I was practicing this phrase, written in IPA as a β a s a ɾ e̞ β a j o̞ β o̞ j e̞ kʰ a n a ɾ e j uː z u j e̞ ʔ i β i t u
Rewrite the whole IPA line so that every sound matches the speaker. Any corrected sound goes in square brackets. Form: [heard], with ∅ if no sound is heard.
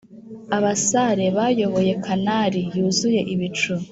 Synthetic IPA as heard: a β a s a ɾ e̞ β a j o̞ β o̞ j e̞ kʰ a n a ɾ [i] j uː z u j e̞ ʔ i β i [t͡ʃ] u

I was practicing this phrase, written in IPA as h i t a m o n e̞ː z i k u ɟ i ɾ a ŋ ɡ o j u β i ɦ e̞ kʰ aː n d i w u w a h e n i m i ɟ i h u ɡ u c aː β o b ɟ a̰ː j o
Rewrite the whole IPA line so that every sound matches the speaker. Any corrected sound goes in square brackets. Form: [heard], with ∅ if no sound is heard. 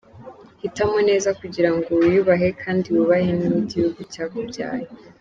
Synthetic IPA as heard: h i t a m o n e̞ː z [a] k u ɟ i ɾ a ŋ ɡ o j u β [a] ɦ e̞ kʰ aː n d i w u [β] a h e n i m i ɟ i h u ɡ u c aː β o b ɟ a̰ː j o

